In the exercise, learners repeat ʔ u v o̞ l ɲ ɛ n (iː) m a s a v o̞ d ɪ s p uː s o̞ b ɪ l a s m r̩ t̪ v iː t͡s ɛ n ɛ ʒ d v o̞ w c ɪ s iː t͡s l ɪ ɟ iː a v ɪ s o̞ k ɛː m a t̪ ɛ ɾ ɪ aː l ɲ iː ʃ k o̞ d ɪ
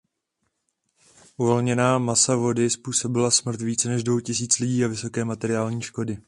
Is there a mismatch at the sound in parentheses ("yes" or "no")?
yes